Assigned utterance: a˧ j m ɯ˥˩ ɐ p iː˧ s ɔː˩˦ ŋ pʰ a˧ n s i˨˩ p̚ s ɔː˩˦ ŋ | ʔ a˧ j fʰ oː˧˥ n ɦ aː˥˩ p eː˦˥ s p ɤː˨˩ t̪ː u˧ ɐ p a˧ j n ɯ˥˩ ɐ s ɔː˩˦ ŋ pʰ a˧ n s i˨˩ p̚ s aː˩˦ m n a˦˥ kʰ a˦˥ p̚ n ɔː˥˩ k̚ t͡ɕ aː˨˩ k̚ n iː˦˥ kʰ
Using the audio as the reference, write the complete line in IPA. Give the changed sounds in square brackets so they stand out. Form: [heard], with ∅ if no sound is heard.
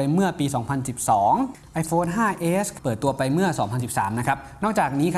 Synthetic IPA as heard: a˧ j m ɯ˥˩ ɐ p iː˧ s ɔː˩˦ ŋ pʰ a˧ n s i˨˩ p̚ s ɔː˩˦ ŋ | ʔ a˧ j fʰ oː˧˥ n ɦ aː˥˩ [ʔ] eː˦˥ s p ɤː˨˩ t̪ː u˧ ɐ p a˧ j [m] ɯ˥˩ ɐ s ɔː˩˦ ŋ pʰ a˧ n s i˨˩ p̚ s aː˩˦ m n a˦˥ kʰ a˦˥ p̚ n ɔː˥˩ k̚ t͡ɕ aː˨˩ k̚ n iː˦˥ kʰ